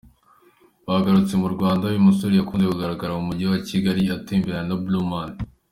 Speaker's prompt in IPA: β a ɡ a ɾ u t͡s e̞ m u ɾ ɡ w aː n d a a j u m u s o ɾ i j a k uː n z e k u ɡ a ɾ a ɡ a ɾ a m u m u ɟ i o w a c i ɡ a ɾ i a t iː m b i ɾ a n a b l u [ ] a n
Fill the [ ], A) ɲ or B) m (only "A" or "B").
B